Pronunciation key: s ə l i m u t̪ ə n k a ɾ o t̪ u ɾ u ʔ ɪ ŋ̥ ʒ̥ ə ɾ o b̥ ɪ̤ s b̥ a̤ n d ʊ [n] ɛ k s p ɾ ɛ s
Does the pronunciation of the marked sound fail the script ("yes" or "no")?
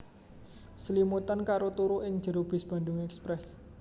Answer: yes